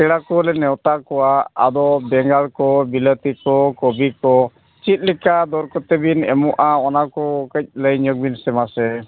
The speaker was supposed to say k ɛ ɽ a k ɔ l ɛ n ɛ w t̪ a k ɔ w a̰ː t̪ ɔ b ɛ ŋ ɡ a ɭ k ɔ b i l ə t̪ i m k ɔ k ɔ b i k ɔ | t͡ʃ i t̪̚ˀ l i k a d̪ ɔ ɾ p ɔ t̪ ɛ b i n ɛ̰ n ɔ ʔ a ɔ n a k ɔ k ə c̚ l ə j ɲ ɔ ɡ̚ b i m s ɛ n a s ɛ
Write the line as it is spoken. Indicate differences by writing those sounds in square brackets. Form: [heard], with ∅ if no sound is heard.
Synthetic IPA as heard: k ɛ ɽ a k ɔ l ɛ n ɛ w t̪ a k ɔ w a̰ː [d̪] ɔ b ɛ ŋ ɡ a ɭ k ɔ b i l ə t̪ i [∅] k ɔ k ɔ b i k ɔ | t͡ʃ i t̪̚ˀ l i k a d̪ ɔ ɾ [k] ɔ t̪ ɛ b i n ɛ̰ [m] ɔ ʔ a ɔ n a k ɔ k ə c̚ l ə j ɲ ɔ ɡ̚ b i [n] s ɛ [m] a s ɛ